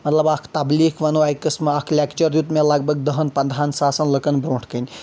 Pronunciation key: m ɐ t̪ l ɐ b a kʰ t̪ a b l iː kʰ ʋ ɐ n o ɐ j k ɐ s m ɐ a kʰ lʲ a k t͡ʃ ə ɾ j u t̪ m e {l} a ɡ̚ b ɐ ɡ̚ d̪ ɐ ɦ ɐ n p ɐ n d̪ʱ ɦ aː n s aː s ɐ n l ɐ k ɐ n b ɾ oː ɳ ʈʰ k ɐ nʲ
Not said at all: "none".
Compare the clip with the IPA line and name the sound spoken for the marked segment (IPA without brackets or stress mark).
l